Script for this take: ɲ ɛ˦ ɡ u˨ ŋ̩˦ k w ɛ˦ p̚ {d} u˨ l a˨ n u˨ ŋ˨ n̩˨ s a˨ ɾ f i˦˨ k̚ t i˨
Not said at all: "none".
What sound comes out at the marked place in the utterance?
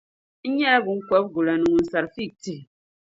ɡ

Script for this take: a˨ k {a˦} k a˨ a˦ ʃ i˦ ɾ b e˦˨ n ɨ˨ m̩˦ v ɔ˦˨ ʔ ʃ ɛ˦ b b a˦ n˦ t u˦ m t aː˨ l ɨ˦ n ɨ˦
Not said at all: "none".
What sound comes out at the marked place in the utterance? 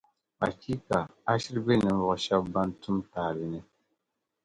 i˦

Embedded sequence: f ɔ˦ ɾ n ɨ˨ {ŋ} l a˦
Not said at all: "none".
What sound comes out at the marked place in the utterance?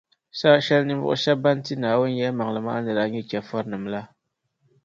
m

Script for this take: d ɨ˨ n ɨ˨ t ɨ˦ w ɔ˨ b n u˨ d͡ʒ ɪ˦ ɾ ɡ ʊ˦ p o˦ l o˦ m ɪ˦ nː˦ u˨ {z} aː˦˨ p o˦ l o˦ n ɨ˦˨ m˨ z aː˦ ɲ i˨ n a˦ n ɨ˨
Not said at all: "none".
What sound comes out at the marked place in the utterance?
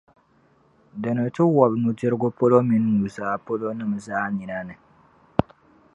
z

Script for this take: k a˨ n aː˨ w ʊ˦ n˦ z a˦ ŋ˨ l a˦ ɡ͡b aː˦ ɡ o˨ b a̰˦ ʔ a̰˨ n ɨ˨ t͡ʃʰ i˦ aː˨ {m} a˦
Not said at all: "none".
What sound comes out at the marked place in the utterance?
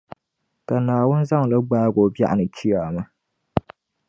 m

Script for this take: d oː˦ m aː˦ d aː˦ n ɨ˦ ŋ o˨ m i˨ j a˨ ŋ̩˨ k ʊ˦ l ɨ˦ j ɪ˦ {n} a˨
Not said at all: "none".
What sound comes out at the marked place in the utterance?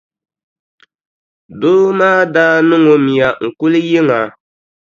ŋ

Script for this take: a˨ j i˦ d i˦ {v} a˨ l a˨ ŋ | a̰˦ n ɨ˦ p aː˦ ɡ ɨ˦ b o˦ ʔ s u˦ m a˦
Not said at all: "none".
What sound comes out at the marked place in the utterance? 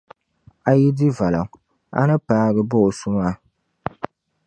v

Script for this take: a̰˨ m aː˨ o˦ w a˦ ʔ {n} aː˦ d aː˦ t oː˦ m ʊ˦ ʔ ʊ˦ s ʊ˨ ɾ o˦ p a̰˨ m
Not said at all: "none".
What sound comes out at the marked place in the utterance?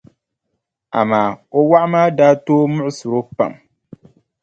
m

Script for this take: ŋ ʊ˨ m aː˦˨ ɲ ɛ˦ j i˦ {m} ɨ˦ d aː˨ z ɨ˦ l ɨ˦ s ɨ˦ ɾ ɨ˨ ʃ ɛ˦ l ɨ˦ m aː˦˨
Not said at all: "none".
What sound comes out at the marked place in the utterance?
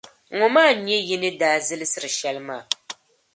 n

